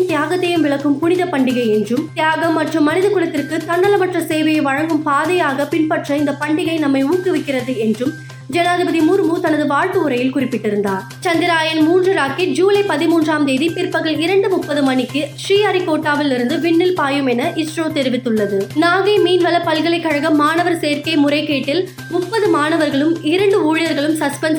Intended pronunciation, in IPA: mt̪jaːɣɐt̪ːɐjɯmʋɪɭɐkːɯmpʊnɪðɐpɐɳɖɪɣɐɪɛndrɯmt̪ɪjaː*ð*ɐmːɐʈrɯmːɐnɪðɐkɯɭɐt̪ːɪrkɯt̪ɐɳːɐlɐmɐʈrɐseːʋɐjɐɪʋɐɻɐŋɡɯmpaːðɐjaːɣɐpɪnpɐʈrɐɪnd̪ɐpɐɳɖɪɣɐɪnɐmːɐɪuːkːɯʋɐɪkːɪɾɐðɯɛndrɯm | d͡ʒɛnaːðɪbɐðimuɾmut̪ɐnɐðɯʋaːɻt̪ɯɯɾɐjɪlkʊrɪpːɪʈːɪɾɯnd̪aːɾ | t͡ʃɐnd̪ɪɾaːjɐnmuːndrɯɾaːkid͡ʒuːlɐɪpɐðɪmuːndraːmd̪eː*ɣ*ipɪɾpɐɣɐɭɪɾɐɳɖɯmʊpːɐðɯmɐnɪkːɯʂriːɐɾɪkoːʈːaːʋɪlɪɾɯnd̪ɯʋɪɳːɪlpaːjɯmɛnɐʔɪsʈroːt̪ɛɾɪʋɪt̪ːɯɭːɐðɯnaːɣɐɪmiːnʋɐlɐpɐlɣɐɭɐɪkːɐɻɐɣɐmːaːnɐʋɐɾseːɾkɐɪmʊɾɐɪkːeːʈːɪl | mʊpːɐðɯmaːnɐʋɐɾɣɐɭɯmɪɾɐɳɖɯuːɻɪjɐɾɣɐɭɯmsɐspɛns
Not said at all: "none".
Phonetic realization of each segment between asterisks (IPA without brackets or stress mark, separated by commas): ɣ, ð